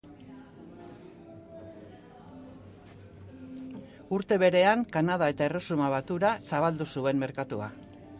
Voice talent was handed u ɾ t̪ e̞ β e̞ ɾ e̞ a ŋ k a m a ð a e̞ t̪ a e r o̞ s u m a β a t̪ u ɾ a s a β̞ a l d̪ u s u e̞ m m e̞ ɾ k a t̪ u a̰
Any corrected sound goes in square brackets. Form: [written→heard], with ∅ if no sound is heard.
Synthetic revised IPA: u ɾ t̪ e̞ β e̞ ɾ e̞ a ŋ k a [m→n] a ð a e̞ t̪ a e r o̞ s u m a β a t̪ u ɾ a s a β̞ a l d̪ u s u e̞ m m e̞ ɾ k a t̪ u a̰